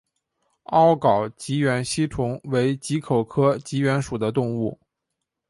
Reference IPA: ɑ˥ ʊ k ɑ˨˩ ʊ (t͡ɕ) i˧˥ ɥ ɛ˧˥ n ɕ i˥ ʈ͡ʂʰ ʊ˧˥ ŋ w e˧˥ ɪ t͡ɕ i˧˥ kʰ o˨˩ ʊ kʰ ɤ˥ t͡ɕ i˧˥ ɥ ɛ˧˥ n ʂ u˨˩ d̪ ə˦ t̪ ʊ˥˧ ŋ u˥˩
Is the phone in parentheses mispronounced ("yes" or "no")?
no